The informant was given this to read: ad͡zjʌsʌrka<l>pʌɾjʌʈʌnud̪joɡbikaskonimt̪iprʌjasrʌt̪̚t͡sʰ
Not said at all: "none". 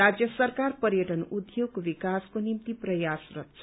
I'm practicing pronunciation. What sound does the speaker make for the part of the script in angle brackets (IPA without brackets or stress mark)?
r